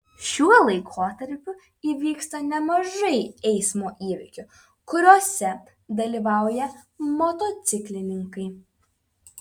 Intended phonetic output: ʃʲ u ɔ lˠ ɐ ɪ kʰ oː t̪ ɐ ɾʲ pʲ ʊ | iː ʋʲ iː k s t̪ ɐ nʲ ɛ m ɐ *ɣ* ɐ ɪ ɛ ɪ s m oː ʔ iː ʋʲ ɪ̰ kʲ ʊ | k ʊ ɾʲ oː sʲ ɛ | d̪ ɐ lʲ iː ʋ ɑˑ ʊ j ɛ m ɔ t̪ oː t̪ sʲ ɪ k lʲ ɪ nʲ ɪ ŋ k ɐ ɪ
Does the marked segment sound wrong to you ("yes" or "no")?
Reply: yes